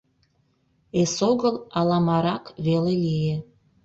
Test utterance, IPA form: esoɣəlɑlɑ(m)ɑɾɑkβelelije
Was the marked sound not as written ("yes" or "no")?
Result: no